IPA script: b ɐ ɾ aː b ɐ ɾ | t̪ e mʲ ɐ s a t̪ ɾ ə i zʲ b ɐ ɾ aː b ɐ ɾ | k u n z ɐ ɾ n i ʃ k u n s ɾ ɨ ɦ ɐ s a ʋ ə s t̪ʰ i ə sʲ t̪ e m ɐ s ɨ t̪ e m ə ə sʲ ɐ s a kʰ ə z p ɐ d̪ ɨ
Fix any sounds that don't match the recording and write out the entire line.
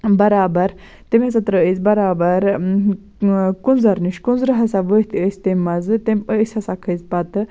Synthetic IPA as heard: b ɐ ɾ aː b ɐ ɾ | t̪ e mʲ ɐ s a t̪ ɾ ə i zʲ b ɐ ɾ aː b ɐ ɾ | k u n z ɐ ɾ n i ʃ k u n z ɾ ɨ ɦ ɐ s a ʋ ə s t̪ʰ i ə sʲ t̪ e m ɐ z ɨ t̪ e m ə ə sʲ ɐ s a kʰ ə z p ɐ t̪ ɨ